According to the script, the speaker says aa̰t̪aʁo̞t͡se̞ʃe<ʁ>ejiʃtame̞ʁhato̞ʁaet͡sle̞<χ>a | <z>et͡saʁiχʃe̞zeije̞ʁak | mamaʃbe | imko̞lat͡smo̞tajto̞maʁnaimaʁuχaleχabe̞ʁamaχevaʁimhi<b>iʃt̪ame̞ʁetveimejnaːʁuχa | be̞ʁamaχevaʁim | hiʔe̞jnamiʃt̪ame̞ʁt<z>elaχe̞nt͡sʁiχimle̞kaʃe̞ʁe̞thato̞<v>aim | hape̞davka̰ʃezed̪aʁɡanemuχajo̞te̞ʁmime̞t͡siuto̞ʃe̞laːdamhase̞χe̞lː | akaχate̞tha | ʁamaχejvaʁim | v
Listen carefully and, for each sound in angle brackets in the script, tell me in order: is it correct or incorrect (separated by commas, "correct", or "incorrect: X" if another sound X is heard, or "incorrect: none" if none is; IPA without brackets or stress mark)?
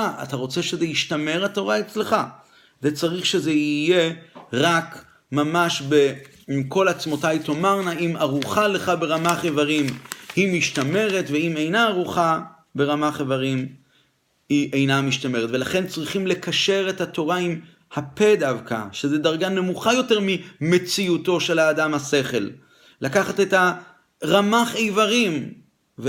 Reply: incorrect: z, correct, correct, incorrect: m, incorrect: v, incorrect: ʁ